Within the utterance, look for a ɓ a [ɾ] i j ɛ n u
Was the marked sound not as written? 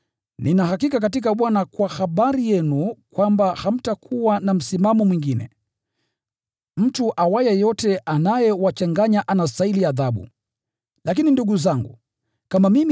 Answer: no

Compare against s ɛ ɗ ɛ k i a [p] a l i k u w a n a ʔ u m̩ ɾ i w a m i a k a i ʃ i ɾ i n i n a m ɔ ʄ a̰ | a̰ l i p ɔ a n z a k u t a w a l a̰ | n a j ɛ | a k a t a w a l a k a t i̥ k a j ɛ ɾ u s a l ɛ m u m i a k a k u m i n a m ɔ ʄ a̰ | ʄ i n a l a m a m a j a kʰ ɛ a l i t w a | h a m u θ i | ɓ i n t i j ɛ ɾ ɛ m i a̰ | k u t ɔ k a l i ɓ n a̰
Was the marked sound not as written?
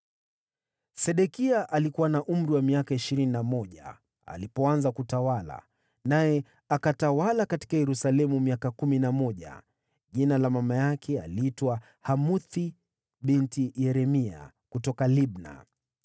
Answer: yes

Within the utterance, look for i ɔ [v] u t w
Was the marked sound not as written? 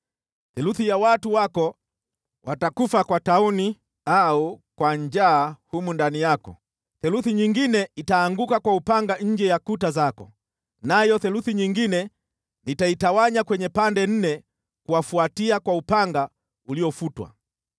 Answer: yes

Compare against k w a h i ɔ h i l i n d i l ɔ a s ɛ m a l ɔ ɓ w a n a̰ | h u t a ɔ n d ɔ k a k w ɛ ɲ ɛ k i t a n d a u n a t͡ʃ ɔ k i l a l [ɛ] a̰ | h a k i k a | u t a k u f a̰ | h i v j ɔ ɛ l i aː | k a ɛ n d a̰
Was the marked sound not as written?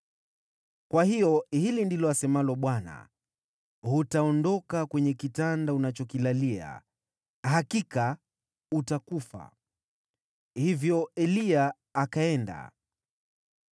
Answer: yes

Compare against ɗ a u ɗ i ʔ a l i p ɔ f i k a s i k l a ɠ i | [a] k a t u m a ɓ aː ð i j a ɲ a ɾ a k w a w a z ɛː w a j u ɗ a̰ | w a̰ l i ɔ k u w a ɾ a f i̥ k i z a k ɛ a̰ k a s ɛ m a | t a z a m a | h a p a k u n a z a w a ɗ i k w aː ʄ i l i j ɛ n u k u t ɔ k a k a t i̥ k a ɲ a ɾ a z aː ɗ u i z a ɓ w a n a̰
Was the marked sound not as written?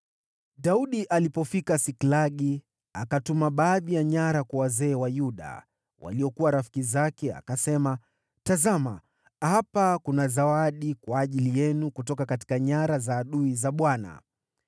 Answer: no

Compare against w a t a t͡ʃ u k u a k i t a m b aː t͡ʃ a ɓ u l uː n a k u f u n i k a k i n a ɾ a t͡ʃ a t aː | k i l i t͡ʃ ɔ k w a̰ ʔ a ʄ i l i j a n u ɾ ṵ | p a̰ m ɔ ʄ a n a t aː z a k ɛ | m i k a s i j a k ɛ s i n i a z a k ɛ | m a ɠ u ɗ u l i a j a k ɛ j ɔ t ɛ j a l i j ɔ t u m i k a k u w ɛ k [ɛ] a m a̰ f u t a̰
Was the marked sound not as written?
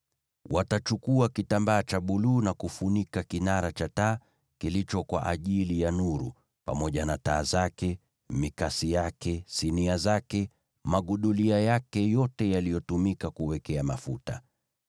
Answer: no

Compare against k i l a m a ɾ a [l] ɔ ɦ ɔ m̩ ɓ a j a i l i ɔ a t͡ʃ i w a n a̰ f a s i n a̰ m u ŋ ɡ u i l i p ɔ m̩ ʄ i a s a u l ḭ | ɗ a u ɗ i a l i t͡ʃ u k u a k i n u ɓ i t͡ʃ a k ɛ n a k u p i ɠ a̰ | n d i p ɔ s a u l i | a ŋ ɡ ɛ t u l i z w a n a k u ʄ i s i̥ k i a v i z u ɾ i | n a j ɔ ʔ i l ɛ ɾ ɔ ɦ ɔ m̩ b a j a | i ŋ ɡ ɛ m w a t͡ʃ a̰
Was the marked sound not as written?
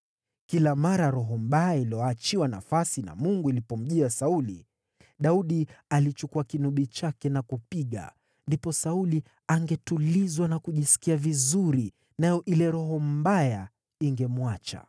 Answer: yes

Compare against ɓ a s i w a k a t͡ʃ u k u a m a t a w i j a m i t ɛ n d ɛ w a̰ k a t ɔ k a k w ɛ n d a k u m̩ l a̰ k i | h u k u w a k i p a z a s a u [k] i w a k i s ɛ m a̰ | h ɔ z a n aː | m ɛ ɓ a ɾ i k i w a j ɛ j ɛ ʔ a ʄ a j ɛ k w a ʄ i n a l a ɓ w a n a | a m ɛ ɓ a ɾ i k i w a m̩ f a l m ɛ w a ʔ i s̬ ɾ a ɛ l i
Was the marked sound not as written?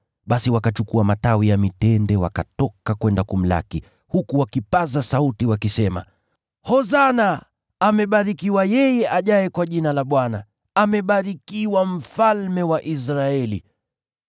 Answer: yes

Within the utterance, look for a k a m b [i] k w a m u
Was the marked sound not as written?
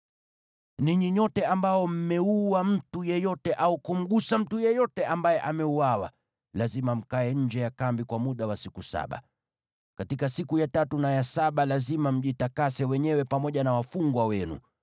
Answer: no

